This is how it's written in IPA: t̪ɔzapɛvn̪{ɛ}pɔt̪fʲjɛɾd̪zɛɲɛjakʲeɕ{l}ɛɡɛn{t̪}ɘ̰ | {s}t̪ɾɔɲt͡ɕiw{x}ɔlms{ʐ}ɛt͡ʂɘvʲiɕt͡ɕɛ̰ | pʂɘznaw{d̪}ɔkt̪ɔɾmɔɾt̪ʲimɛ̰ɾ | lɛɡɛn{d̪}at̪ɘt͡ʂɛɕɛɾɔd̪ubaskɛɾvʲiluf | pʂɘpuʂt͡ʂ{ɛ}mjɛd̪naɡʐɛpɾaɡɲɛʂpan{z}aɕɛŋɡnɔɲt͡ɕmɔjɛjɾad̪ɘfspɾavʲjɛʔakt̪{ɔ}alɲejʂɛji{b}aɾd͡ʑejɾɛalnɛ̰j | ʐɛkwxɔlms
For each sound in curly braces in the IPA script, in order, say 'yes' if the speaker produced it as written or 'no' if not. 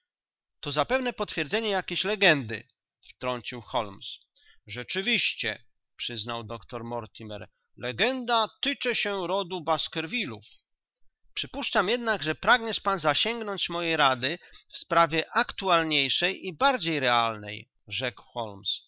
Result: yes, yes, no, no, yes, yes, yes, yes, no, yes, no, yes

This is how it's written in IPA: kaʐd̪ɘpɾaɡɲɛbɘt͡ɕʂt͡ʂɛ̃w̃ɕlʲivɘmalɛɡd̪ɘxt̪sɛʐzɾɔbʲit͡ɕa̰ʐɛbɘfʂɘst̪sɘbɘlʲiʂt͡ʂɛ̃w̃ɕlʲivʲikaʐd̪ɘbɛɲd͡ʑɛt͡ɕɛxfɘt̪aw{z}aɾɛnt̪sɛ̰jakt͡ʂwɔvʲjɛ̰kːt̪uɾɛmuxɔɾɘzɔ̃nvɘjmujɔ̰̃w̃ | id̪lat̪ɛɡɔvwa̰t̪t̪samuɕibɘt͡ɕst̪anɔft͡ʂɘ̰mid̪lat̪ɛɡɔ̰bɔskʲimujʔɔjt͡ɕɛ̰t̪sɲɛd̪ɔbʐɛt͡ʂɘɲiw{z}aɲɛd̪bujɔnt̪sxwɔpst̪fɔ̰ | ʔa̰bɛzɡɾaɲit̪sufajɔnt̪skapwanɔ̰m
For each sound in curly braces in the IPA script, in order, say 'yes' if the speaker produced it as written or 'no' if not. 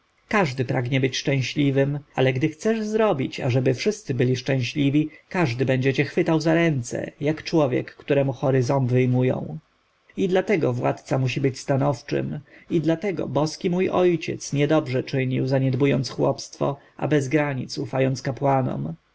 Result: yes, yes

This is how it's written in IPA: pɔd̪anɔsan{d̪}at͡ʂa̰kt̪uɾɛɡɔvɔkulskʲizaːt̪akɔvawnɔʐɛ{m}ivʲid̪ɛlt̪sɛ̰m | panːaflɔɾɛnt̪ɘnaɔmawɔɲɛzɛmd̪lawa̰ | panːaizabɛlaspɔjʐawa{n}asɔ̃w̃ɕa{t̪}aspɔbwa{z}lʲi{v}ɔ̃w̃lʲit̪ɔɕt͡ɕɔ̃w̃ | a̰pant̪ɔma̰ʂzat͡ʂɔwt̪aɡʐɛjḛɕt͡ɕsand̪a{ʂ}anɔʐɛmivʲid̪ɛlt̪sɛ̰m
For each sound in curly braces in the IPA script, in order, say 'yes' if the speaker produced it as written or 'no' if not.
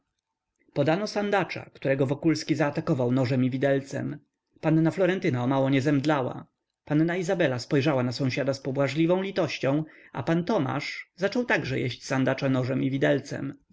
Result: yes, yes, yes, no, no, yes, no

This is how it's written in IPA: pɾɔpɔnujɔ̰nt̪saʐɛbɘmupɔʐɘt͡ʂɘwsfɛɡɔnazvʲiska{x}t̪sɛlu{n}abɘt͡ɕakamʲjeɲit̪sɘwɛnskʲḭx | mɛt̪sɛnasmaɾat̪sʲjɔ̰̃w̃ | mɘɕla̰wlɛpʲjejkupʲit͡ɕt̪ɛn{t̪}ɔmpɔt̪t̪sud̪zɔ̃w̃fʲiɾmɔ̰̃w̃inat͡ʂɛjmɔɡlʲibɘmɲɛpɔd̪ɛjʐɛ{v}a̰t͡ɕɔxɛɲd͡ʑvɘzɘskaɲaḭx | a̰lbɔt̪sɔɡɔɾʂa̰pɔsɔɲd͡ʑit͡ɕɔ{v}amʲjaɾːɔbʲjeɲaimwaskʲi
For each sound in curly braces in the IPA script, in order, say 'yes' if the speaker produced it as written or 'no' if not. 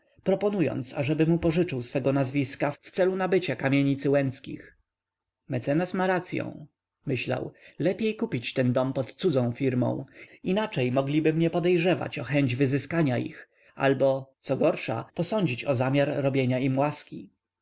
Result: no, yes, no, yes, no

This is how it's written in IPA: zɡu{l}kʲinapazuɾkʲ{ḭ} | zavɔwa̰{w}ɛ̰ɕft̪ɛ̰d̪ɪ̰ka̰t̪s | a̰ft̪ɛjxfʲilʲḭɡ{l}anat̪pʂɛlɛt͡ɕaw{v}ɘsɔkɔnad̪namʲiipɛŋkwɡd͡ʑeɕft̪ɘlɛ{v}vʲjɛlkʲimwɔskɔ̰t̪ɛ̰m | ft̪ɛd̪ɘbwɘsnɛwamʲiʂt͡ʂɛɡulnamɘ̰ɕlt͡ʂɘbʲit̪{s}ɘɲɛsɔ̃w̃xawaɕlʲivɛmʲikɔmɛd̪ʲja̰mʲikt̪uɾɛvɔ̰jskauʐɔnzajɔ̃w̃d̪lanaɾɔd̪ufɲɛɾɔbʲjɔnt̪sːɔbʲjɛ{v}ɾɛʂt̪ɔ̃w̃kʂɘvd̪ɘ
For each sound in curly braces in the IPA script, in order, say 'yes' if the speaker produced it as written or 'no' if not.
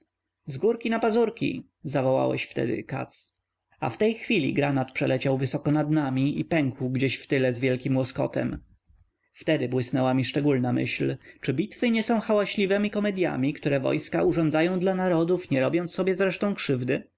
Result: no, yes, yes, no, yes, no, no, no

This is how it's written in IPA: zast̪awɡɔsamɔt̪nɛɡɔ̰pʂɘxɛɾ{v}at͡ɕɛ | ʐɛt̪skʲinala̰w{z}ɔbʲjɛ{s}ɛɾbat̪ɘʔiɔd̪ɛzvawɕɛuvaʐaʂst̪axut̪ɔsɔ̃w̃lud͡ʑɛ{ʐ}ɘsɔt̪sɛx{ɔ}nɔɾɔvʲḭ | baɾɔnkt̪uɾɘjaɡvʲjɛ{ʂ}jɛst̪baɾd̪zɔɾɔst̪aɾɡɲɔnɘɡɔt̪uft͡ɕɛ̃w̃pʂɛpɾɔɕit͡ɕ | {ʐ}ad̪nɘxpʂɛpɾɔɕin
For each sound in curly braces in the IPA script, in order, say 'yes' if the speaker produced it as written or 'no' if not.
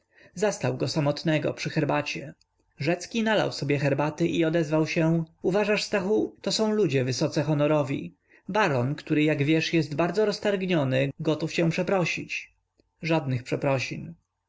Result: no, no, no, no, yes, yes, yes

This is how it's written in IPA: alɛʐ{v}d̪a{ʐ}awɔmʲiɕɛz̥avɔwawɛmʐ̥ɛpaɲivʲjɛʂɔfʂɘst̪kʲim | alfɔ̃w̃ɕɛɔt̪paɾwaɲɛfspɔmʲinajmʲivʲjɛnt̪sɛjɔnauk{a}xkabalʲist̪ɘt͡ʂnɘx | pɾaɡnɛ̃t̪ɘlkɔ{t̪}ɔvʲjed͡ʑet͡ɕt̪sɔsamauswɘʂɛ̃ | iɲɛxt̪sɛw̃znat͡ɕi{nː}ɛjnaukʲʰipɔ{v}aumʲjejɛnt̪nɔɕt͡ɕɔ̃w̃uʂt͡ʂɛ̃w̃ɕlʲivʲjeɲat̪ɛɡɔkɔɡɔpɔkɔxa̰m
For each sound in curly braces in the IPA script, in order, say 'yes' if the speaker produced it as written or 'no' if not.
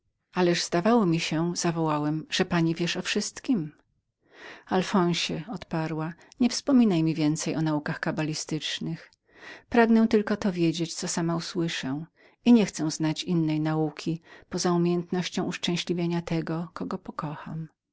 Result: no, no, yes, yes, yes, no

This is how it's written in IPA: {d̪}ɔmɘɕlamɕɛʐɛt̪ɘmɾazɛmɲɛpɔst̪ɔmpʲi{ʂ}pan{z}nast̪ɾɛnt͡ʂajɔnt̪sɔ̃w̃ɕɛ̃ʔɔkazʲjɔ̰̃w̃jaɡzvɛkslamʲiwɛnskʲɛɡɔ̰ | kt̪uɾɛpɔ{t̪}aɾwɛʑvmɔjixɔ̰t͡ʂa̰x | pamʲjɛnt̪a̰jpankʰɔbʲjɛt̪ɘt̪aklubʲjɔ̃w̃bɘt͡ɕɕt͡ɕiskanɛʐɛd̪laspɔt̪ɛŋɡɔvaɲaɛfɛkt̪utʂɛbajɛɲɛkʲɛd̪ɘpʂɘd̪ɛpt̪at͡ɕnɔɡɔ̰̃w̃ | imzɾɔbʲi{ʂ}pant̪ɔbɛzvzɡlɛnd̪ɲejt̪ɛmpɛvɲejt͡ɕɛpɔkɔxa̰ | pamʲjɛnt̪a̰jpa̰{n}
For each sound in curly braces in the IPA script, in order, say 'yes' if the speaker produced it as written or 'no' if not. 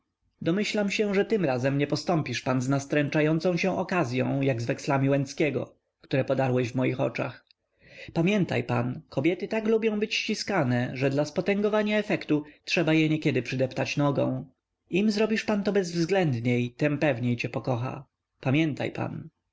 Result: yes, yes, yes, no, yes, yes

